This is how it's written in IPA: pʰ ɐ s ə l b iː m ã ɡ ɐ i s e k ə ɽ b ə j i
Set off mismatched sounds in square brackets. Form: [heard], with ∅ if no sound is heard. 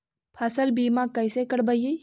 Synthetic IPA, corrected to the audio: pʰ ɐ s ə l b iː m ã [k] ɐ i s e k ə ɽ b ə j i